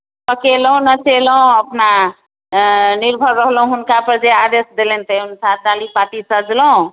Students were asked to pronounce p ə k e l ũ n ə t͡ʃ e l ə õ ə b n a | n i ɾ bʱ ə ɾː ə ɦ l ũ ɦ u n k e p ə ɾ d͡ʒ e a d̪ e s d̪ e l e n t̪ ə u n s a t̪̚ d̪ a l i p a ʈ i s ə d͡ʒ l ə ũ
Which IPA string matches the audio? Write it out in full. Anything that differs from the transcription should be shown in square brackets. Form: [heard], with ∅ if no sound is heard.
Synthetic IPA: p ə k e l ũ n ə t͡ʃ e l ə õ ə [p] n a | n i ɾ bʱ ə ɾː ə ɦ l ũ ɦ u n k [a] p ə ɾ d͡ʒ e a d̪ e s d̪ e l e n t̪ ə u n s a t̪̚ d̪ a l i p a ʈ i s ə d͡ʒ l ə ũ